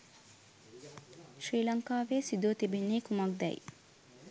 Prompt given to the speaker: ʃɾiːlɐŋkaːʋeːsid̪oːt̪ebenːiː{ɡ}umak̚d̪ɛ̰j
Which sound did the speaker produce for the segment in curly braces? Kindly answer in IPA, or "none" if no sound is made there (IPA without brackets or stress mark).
k